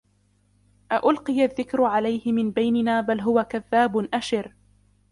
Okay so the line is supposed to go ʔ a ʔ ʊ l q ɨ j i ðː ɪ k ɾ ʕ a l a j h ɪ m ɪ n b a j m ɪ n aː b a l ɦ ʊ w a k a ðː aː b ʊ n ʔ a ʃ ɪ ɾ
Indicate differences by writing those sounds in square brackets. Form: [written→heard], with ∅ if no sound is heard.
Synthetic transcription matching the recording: ʔ a ʔ ʊ l q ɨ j [i→a] ðː ɪ k ɾ ʕ a l a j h ɪ m ɪ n b a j [m→n] ɪ n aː b a l ɦ ʊ w a k a ðː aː b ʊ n ʔ a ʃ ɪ ɾ